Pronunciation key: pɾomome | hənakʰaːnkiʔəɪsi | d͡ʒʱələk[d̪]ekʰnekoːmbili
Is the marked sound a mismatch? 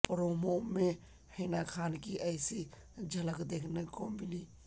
no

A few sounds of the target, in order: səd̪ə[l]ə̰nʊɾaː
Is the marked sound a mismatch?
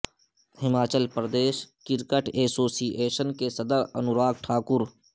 yes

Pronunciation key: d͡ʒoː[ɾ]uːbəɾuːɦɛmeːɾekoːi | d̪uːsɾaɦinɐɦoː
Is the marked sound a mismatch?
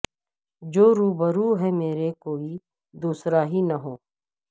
no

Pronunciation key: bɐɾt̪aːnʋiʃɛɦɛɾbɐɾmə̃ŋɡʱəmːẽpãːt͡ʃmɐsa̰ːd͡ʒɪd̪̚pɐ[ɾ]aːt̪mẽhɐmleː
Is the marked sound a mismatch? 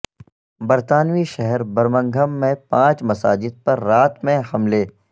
yes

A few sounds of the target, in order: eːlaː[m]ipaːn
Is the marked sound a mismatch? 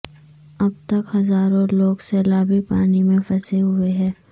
yes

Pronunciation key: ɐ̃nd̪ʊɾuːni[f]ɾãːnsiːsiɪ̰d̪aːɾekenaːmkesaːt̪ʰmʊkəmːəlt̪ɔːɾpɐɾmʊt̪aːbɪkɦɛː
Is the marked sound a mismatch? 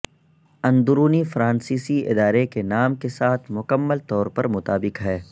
no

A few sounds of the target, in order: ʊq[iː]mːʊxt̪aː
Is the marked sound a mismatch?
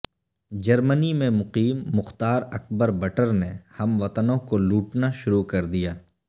no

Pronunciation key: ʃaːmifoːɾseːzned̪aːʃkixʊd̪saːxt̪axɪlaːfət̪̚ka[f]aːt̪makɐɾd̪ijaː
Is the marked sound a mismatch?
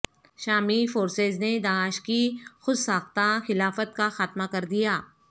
yes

